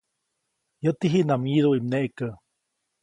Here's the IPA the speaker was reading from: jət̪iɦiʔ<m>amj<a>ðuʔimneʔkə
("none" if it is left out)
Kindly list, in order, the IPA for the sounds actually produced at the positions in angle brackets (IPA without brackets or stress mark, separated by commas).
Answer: n, i